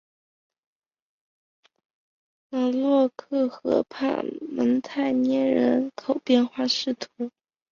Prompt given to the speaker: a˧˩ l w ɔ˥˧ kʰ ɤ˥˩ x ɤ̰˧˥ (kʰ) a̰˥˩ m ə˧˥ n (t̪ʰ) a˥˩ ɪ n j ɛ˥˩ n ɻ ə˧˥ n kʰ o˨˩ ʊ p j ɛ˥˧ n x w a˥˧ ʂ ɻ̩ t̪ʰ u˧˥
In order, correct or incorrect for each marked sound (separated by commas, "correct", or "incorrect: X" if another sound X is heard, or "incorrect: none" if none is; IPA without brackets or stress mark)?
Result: incorrect: pʰ, correct